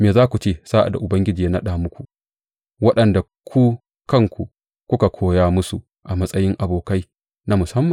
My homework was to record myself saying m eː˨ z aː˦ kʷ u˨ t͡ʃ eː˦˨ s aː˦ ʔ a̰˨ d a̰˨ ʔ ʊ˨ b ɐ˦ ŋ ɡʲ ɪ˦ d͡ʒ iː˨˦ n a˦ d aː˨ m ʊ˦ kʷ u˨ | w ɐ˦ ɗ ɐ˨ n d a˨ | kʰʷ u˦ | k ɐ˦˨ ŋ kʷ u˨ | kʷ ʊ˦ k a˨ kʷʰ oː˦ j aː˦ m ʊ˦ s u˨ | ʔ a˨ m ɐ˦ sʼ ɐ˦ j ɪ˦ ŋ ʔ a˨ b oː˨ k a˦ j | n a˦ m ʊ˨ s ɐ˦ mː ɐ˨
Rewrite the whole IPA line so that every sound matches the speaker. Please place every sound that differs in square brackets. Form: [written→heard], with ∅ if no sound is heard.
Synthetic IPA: m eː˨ z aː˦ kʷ u˨ t͡ʃ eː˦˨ s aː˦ ʔ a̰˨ d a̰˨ ʔ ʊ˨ b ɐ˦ ŋ ɡʲ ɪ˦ d͡ʒ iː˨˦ n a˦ [d→ɗ] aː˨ m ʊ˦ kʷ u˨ | w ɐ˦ ɗ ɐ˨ n d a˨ | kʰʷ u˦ | k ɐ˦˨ ŋ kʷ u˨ | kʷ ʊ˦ k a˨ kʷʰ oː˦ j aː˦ m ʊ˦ s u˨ | ʔ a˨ m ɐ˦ sʼ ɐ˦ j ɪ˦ ŋ ʔ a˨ b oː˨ k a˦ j | n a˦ m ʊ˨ s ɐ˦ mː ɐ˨